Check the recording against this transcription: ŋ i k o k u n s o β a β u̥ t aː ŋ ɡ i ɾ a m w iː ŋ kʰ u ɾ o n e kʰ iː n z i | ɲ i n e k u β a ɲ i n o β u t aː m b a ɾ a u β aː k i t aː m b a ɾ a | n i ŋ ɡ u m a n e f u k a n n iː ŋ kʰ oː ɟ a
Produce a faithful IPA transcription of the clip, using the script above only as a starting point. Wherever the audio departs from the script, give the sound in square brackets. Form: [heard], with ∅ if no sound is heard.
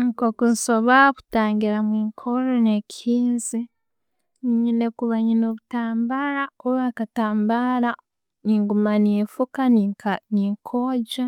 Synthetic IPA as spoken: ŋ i k o k u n s o β a β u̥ t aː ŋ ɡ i ɾ a m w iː ŋ kʰ [o] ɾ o n e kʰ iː n z i | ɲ i n e k u β a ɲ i n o β u t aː m b a ɾ a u β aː k [a] t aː m b a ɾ a | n i ŋ ɡ u m a n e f u k a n n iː ŋ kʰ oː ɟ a